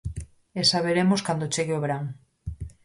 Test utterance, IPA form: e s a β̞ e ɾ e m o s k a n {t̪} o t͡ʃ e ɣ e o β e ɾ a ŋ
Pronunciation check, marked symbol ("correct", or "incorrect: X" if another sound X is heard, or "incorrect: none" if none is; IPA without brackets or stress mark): incorrect: d̪